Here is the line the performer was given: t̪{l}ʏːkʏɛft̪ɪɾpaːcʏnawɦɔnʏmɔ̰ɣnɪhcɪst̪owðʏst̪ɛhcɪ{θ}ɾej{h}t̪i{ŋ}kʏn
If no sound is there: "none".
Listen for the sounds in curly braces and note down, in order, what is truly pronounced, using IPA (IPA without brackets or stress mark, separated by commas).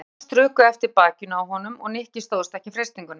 ɾ, f, s, ŋ